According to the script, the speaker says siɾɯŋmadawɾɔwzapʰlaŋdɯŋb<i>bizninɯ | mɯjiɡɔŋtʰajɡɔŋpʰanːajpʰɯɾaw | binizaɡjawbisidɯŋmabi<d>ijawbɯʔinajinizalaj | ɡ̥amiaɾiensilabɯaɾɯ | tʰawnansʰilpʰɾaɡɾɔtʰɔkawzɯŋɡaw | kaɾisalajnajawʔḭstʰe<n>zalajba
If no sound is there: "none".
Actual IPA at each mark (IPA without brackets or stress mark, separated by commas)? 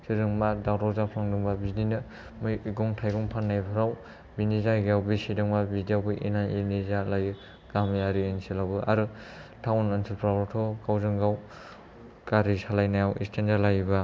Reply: a, d, n